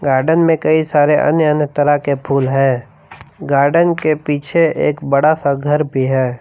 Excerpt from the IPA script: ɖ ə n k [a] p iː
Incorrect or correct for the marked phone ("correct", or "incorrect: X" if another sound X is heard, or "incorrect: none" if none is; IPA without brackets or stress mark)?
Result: incorrect: e